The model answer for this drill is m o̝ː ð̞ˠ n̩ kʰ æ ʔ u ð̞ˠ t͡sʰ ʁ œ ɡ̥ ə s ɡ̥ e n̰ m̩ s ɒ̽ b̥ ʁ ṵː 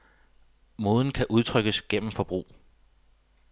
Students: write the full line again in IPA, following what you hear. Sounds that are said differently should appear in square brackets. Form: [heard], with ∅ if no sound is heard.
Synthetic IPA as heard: m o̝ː ð̞ˠ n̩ kʰ æ ʔ u ð̞ˠ t͡sʰ ʁ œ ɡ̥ ə s ɡ̥ e n̰ m̩ [f] ɒ̽ b̥ ʁ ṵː

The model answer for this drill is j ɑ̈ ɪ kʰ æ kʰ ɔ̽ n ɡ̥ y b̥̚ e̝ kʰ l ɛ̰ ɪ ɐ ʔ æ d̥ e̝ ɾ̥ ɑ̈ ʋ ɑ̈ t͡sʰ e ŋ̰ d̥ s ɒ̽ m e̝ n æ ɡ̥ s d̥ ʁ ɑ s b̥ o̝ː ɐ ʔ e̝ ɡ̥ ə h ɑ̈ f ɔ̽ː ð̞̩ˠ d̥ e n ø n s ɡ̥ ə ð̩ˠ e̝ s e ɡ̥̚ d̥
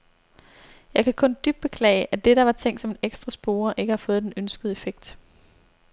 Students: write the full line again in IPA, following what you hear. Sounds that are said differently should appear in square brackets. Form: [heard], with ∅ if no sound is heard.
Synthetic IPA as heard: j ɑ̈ ɪ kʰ æ kʰ ɔ̽ n [d̥] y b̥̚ e̝ kʰ l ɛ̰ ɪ [ə] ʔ æ d̥ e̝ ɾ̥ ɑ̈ ʋ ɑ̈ t͡sʰ e ŋ̰ d̥ s ɒ̽ m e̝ n [e] ɡ̥ s d̥ ʁ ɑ s b̥ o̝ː ɐ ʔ e̝ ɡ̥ ə h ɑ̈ f ɔ̽ː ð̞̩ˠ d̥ e n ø n s ɡ̥ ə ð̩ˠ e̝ [f] e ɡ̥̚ d̥

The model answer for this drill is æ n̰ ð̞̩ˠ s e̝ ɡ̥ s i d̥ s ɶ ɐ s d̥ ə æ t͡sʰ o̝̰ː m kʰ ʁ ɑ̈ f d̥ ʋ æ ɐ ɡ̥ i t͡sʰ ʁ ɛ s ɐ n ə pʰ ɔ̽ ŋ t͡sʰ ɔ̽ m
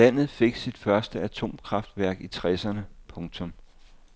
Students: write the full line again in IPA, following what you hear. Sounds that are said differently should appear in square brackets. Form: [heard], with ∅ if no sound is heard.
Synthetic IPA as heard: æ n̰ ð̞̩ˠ [f] e̝ ɡ̥ s i d̥ [f] ɶ ɐ s d̥ ə æ t͡sʰ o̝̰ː m kʰ ʁ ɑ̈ f d̥ ʋ æ ɐ ɡ̥ i t͡sʰ ʁ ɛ s ɐ n ə pʰ ɔ̽ ŋ t͡sʰ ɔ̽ m

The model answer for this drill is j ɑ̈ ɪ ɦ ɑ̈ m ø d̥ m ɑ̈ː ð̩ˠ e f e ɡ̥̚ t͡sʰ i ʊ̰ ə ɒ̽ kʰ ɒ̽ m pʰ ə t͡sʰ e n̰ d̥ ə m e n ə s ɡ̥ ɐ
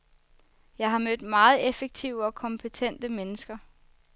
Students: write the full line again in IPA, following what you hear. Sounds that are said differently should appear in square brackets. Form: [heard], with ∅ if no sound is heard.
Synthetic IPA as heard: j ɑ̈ ɪ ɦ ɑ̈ m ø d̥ m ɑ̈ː ð̩ˠ e f e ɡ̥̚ t͡sʰ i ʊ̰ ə ɒ̽ kʰ ɒ̽ m pʰ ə t͡sʰ e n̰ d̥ ə m e n ə s ɡ̥ ɐ

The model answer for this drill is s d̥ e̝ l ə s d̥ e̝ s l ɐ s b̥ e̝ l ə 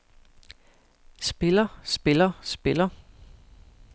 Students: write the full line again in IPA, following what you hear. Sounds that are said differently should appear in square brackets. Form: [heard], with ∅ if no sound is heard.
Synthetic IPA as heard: s [b̥] e̝ l [ɐ] s [b̥] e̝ [∅] l ɐ s b̥ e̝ l [ɐ]

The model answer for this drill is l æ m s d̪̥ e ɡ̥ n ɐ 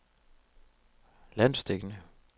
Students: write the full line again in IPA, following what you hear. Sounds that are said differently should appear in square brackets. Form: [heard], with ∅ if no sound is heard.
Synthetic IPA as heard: l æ [n] s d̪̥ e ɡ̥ n [ə]

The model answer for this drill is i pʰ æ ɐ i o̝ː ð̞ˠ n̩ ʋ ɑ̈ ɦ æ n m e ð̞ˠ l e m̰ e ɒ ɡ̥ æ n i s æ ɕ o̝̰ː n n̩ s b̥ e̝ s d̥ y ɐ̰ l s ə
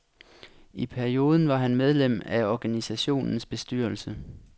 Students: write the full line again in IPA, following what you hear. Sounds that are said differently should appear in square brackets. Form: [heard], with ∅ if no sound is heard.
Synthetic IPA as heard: i pʰ æ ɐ i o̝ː ð̞ˠ n̩ ʋ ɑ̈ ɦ æ n m e ð̞ˠ l e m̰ [æ] ɒ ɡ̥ æ n i s æ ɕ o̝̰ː n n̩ s b̥ e̝ s d̥ y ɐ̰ l s ə

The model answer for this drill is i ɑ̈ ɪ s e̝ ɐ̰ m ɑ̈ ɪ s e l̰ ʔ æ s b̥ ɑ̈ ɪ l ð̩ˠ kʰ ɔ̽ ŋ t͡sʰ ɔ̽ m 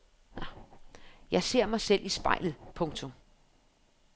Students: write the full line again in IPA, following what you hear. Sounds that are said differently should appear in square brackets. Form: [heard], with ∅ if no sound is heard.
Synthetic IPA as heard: [j] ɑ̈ ɪ s e̝ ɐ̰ m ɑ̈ ɪ s e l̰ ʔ [i] s b̥ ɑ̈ ɪ l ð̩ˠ [pʰ] ɔ̽ ŋ t͡sʰ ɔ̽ m

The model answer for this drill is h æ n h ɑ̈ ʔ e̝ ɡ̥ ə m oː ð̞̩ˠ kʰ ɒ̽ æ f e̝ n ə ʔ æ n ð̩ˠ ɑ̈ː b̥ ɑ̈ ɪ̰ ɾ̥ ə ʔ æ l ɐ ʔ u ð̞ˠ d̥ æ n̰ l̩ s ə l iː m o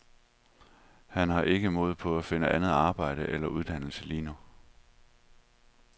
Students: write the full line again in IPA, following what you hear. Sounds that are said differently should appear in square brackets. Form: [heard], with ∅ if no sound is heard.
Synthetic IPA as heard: h æ n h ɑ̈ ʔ e̝ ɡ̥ ə m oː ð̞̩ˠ [pʰ] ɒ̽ æ f e̝ n ə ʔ æ n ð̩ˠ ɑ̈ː b̥ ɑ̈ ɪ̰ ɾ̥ ə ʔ [e] l ɐ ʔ u ð̞ˠ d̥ æ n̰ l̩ s ə l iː [n] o

